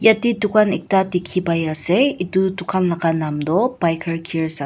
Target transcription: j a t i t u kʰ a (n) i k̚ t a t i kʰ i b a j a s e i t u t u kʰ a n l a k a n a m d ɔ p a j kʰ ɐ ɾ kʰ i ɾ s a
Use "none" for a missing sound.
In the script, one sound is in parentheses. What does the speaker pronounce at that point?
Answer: n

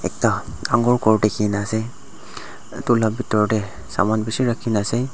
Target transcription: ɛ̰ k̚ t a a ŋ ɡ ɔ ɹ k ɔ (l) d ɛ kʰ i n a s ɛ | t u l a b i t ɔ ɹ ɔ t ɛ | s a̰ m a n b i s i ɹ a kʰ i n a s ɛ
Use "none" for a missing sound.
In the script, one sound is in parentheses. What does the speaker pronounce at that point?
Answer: ɹ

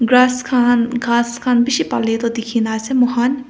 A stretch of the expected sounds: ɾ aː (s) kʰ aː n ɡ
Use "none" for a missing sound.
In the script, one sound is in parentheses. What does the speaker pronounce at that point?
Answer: s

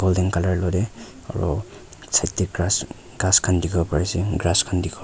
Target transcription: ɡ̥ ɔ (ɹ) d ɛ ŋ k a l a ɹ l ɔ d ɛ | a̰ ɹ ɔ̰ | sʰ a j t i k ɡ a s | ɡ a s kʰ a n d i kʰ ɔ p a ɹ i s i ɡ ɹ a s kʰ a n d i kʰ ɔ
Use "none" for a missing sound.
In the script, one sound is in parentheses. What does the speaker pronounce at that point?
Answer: l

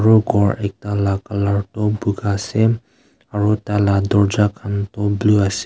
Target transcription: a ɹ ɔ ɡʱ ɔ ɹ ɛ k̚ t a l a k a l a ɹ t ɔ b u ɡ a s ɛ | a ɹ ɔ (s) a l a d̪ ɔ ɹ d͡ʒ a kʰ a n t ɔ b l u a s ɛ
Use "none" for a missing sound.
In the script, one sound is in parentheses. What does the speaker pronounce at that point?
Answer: t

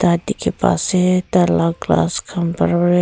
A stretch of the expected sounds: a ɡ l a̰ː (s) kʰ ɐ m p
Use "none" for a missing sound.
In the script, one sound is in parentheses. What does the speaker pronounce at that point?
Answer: s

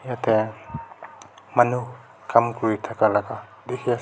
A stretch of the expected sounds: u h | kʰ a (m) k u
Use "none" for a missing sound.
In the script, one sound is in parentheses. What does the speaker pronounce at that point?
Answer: m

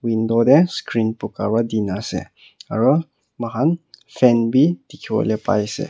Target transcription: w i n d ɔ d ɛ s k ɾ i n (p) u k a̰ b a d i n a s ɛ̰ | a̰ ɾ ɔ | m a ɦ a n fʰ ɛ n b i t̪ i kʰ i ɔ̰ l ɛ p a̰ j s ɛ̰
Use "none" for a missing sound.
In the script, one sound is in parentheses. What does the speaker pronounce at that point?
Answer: p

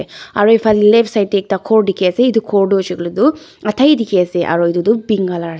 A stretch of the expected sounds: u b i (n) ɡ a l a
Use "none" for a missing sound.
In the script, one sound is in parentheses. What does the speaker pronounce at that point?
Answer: ŋ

